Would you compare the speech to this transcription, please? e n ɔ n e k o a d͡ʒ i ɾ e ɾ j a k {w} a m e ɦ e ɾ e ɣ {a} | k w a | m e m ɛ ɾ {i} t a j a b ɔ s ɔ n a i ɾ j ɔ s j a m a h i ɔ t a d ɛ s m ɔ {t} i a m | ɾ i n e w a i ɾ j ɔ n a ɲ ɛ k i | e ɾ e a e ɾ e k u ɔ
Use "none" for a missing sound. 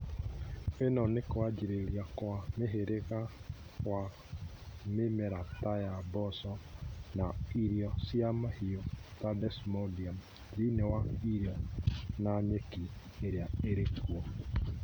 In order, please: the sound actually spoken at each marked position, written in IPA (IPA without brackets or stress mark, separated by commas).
w, a, a, d